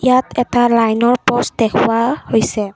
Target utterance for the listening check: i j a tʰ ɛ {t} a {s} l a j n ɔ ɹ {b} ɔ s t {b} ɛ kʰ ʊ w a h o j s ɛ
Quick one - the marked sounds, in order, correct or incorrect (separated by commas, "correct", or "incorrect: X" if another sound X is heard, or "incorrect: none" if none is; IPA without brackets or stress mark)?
correct, incorrect: none, incorrect: p, incorrect: d